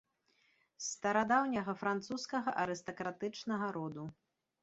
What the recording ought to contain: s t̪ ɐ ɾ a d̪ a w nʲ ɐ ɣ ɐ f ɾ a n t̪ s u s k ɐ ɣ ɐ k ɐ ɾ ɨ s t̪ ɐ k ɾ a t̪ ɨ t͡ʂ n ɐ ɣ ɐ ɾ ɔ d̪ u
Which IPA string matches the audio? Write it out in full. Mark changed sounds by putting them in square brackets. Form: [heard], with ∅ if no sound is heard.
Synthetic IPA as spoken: s t̪ ɐ ɾ a d̪ a w nʲ ɐ ɣ ɐ f ɾ a n t̪ s u s k ɐ ɣ ɐ [ʔ] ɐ ɾ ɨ s t̪ ɐ k ɾ a t̪ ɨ t͡ʂ n ɐ ɣ ɐ ɾ ɔ d̪ u